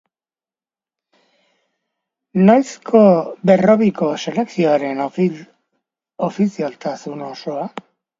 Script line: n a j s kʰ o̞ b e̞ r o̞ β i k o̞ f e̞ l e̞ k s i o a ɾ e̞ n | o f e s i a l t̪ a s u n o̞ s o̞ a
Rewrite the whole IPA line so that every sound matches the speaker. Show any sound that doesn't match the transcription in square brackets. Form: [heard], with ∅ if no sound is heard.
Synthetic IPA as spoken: n a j s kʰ o̞ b e̞ r o̞ β i k o̞ [s] e̞ l e̞ k s i o a ɾ e̞ n | o f [i] s i a l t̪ a s u n o̞ s o̞ a

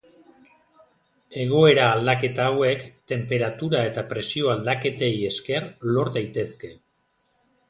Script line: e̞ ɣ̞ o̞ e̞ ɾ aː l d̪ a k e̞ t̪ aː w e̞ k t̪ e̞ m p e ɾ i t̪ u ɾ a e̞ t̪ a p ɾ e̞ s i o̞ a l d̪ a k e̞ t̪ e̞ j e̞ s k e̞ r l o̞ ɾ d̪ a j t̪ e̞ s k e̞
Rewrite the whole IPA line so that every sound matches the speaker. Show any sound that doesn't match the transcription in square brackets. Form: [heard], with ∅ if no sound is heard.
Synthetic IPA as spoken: e̞ ɣ̞ o̞ e̞ ɾ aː l d̪ a k e̞ t̪ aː w e̞ k t̪ e̞ m p e ɾ [a] t̪ u ɾ a e̞ t̪ a p ɾ e̞ s i o̞ a l d̪ a k e̞ t̪ e̞ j e̞ s k e̞ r l o̞ ɾ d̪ a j t̪ e̞ s k e̞

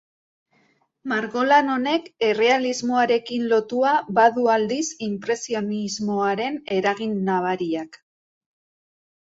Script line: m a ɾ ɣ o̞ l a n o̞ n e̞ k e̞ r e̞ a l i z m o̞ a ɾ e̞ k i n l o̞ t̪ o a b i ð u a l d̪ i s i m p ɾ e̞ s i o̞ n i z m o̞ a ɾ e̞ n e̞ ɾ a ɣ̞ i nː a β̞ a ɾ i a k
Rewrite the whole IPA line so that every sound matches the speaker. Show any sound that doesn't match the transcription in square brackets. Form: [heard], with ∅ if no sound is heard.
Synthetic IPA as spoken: m a ɾ ɣ o̞ l a n o̞ n e̞ k e̞ r e̞ a l i z m o̞ a ɾ e̞ k i n l o̞ t̪ [u] a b [a] ð u a l d̪ i s i m p ɾ e̞ s i o̞ n i z m o̞ a ɾ e̞ n e̞ ɾ a ɣ̞ i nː a β̞ a ɾ i a k

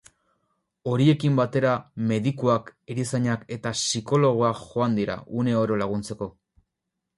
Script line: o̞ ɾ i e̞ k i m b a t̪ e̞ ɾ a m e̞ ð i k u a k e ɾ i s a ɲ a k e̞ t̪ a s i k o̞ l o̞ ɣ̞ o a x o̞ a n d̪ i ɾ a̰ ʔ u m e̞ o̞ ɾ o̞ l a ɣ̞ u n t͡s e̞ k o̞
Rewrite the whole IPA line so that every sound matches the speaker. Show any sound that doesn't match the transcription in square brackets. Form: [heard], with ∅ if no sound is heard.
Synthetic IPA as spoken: o̞ ɾ i e̞ k i m b a t̪ e̞ ɾ a m e̞ ð i k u a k e ɾ i s a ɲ a k e̞ t̪ a s i k o̞ l o̞ ɣ̞ o a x o̞ a n d̪ i ɾ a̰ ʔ u [n] e̞ o̞ ɾ o̞ l a ɣ̞ u n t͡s e̞ k o̞

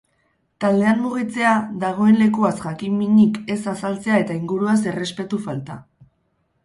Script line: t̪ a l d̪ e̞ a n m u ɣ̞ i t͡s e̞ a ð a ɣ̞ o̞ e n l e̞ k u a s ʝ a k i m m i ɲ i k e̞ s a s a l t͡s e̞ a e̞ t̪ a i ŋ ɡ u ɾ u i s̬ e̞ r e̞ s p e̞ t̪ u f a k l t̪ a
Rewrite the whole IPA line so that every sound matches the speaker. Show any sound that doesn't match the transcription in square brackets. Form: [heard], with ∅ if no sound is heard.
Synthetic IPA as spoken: t̪ a l d̪ e̞ a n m u ɣ̞ i t͡s e̞ a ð a ɣ̞ o̞ e n l e̞ k u a s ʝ a k i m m i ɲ i k e̞ s a s a l t͡s e̞ a e̞ t̪ a i ŋ ɡ u ɾ u [a] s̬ e̞ r e̞ s p e̞ t̪ u f a [∅] l t̪ a

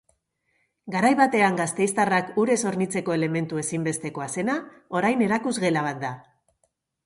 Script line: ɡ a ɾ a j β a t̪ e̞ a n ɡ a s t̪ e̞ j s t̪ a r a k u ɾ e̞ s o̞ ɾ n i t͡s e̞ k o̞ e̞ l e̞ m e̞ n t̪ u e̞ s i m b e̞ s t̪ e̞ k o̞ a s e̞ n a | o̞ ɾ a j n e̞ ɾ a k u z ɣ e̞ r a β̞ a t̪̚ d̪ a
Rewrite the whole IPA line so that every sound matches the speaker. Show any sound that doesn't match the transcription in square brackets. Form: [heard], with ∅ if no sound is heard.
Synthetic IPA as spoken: ɡ a ɾ a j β a t̪ e̞ a [ŋ] ɡ a s t̪ e̞ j s t̪ a r a k u ɾ e̞ s o̞ ɾ n i t͡s e̞ k o̞ e̞ l e̞ m e̞ n t̪ u e̞ s i m b e̞ s t̪ e̞ k o̞ a s e̞ n a | o̞ ɾ a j n e̞ ɾ a k u z ɣ e̞ [l] a β̞ a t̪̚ d̪ a

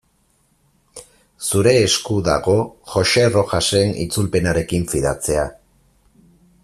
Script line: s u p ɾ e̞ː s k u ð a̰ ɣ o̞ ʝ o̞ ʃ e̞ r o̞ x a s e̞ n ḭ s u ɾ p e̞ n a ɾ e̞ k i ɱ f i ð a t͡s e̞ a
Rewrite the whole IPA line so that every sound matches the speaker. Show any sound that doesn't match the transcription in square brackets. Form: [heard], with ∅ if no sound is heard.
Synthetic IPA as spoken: s u [∅] ɾ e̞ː s k u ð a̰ ɣ o̞ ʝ o̞ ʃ e̞ r o̞ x a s e̞ n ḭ [t͡s] u [l] p e̞ n a ɾ e̞ k i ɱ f i ð a t͡s e̞ a

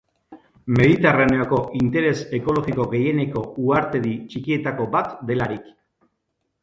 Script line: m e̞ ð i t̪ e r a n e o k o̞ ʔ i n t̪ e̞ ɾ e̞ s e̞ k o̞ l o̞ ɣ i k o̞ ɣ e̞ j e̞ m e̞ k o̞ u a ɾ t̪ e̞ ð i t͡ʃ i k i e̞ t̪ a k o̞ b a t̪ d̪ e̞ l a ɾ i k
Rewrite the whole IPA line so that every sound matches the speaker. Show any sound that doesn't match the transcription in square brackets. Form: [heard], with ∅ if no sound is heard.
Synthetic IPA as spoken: m e̞ ð i t̪ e r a n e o k o̞ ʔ i n t̪ e̞ ɾ e̞ s e̞ k o̞ l o̞ ɣ i k o̞ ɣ e̞ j e̞ [n] e̞ k o̞ u a ɾ t̪ e̞ ð i t͡ʃ i k i e̞ t̪ a k o̞ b a t̪ d̪ e̞ l a ɾ i k

